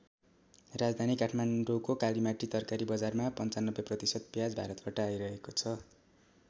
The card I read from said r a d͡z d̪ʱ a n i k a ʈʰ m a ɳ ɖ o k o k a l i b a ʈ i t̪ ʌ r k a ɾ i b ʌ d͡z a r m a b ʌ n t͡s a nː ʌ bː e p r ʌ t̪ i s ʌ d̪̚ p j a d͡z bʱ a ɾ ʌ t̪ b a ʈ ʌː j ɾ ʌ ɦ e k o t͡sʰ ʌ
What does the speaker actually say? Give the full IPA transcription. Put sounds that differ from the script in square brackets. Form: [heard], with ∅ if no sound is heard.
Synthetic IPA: r a d͡z d̪ʱ a n i k a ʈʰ m a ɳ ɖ o k o k a l i [m] a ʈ i t̪ ʌ r k a ɾ i b ʌ d͡z a r m a [p] ʌ n t͡s a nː ʌ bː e p r ʌ t̪ i s ʌ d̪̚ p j a d͡z bʱ a ɾ ʌ t̪ b a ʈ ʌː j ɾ ʌ ɦ e k o t͡sʰ ʌ